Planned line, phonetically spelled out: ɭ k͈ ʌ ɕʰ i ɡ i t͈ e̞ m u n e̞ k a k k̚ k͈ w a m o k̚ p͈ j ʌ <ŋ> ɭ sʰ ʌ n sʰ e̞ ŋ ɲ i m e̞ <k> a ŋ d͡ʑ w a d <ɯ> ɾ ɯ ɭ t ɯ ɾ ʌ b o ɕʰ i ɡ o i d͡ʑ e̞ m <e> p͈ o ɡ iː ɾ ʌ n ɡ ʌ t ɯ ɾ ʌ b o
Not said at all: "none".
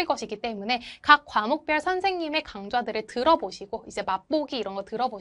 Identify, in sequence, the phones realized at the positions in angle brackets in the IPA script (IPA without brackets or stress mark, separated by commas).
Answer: none, k, ɯ, a